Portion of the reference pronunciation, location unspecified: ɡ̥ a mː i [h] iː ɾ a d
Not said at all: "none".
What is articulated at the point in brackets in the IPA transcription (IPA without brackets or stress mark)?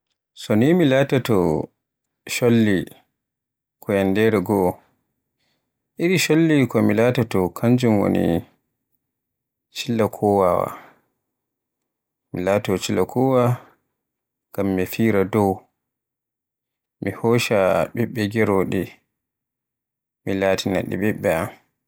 f